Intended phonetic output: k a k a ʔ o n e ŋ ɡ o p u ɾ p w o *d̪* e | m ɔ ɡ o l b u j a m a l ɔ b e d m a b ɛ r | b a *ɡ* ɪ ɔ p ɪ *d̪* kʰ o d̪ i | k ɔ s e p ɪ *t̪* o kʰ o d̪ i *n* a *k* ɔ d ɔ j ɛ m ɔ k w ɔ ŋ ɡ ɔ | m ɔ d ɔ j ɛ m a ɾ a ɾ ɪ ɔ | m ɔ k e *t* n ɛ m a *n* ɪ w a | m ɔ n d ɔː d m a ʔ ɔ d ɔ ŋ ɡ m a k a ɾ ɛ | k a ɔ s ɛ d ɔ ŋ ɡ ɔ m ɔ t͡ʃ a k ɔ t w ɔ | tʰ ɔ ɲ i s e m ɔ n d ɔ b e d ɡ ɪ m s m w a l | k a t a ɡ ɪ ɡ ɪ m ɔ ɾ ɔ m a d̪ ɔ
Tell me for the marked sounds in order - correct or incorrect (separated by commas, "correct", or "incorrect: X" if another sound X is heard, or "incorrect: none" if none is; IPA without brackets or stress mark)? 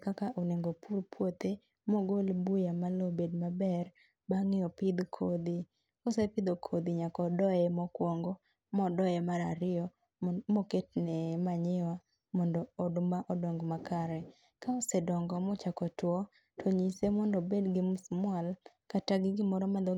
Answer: incorrect: t̪, incorrect: ŋ, correct, incorrect: d̪, incorrect: ɲ, correct, correct, incorrect: ɲ